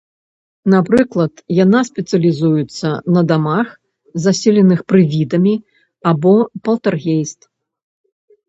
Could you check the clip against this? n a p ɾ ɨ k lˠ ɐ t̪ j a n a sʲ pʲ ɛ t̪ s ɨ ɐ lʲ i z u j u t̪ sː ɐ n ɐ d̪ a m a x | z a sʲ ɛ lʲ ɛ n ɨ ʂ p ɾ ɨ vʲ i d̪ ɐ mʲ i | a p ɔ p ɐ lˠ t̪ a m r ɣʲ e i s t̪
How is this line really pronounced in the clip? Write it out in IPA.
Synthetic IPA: n a p ɾ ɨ k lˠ ɐ t̪ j a n a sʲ pʲ ɛ t̪ s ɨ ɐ lʲ i z u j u t̪ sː ɐ n ɐ d̪ a m a x | z a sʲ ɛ lʲ ɛ n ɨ x p ɾ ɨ vʲ i d̪ ɐ mʲ i | a b ɔ p ɐ lˠ t̪ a r ɣʲ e j s t̪